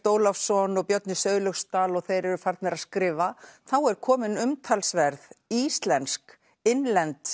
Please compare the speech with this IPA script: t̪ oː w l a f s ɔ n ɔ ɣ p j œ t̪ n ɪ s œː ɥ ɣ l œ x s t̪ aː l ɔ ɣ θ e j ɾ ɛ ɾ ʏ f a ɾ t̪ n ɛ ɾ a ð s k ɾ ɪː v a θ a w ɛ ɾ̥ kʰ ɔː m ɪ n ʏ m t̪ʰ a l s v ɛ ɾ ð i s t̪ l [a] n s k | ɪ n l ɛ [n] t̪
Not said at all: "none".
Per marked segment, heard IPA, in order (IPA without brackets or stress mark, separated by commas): ɛ, n